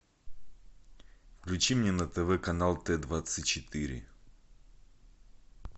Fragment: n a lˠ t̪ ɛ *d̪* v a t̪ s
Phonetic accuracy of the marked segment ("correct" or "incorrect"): correct